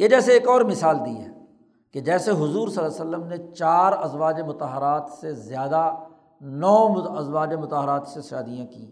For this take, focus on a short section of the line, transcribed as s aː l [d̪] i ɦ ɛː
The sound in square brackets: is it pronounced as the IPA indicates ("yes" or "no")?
yes